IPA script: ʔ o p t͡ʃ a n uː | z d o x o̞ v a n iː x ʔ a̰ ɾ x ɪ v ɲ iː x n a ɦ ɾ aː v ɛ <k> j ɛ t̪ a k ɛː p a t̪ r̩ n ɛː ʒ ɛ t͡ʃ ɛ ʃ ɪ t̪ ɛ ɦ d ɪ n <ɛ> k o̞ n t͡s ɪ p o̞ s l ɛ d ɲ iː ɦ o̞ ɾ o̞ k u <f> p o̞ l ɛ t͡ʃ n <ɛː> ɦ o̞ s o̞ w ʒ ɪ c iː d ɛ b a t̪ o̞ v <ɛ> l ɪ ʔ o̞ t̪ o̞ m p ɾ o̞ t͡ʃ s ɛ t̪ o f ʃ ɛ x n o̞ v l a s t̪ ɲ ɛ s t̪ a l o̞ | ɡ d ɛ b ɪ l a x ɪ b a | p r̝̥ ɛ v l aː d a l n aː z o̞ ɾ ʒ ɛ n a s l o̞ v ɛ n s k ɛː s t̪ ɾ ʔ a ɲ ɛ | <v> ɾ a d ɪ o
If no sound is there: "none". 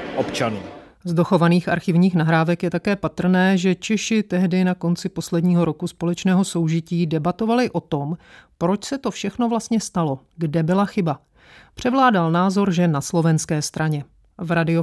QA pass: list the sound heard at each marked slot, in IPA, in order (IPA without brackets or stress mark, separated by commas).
k, a, s, ɛː, a, v